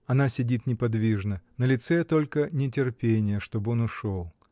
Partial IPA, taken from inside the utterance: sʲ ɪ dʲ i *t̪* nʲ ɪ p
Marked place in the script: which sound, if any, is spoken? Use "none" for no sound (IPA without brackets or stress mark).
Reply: t̪